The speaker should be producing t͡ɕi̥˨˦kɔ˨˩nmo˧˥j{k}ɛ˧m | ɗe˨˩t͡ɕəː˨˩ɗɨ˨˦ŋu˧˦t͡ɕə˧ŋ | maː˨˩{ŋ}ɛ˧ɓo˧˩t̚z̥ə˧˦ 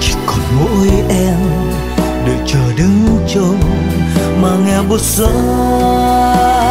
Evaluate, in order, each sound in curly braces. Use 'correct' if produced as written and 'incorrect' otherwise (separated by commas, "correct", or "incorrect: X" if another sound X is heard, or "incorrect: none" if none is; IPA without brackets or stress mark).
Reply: incorrect: ʔ, correct